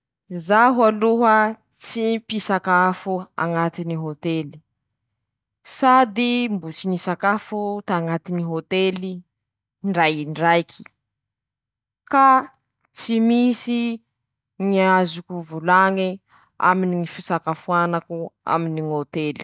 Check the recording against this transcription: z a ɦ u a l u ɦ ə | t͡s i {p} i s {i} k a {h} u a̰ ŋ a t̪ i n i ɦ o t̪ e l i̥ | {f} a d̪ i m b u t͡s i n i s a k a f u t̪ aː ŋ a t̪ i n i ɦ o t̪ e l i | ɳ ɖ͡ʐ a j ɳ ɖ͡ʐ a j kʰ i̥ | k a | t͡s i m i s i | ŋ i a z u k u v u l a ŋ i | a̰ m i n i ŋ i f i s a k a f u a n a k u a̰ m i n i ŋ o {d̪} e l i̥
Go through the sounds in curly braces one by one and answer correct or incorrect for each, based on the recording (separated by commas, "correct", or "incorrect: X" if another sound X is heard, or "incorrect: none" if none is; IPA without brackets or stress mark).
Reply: correct, incorrect: a, incorrect: f, incorrect: s, incorrect: t̪